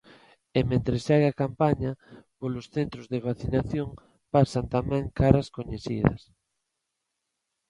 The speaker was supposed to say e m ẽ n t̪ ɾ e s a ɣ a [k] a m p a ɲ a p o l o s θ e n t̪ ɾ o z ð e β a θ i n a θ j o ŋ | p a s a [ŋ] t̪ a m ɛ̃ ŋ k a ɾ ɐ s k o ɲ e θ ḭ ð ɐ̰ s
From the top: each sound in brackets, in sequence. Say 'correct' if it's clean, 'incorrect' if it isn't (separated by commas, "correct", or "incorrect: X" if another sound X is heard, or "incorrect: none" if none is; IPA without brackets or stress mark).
correct, incorrect: n